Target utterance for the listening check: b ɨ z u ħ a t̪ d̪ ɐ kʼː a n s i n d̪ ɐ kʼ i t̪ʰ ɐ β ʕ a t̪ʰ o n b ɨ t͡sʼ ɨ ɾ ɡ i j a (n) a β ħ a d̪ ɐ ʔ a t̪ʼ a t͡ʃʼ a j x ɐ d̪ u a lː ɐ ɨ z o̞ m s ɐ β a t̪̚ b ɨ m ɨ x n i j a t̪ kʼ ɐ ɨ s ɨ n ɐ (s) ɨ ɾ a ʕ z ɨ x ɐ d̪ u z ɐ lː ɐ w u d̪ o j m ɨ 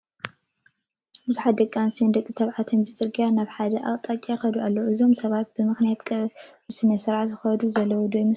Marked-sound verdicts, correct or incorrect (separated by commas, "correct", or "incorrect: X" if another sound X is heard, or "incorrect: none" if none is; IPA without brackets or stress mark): correct, correct